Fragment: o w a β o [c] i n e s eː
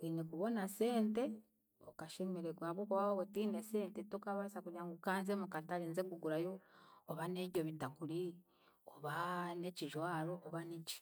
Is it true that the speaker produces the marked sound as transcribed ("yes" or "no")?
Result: no